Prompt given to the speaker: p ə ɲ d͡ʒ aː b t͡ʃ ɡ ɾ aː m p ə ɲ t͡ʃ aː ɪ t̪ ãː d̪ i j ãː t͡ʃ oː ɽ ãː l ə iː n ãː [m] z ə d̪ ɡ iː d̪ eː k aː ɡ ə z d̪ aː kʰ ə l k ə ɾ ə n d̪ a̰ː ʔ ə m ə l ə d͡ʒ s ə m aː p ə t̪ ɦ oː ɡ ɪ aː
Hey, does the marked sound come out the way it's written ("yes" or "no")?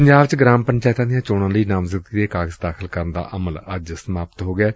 yes